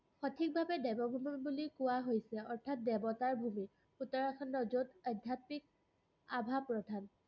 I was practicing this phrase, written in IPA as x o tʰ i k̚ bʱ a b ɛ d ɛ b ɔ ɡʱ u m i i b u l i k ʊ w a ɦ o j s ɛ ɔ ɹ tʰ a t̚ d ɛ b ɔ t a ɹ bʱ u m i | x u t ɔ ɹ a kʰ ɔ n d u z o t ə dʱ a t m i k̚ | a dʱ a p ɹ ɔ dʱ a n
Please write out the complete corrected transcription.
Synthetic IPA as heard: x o tʰ i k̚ bʱ a b ɛ d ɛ b ɔ bʱ u m i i b u l i k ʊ w a ɦ o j s ɛ ɔ ɹ tʰ a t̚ d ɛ b ɔ t a ɹ bʱ u m i | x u t ɔ ɹ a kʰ ɔ n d ɔ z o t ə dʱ a t m i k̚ | a bʱ a p ɹ ɔ dʱ a n